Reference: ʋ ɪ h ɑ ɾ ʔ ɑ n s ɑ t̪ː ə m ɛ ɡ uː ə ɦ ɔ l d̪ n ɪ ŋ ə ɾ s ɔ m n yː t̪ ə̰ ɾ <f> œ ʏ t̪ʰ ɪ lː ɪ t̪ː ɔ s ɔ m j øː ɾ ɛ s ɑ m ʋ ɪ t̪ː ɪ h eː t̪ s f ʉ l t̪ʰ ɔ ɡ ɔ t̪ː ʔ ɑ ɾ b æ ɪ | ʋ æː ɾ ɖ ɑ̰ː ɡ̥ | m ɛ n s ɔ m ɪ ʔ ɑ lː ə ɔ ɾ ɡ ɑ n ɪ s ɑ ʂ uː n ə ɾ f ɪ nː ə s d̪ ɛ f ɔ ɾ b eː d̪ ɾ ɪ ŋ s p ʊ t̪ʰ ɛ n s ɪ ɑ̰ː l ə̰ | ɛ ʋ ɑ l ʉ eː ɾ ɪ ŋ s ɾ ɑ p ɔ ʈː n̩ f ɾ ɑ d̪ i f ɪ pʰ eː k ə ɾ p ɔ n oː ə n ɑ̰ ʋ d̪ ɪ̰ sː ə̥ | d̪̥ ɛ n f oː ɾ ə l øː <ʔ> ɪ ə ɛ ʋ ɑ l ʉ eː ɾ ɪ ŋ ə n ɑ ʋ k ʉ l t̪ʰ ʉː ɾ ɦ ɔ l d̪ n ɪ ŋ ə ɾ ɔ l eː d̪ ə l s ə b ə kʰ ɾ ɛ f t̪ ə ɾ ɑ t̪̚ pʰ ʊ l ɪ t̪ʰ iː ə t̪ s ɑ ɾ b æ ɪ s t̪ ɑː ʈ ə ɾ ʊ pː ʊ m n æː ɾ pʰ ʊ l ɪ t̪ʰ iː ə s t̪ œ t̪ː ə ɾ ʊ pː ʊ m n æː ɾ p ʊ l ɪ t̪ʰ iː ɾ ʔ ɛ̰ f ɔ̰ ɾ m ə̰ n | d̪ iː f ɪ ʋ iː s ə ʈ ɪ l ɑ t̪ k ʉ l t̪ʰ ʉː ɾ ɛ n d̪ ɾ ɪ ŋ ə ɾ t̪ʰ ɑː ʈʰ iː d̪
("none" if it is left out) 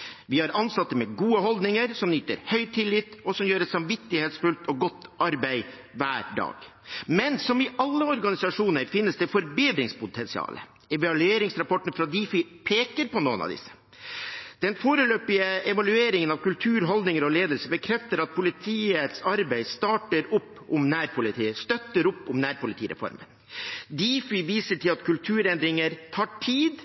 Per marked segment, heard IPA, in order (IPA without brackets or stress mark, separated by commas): h, p